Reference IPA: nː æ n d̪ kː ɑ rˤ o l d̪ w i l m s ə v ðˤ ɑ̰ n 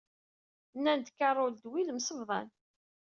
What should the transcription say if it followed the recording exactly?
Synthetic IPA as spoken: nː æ n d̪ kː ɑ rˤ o l d̪ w i l m s ə v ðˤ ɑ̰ n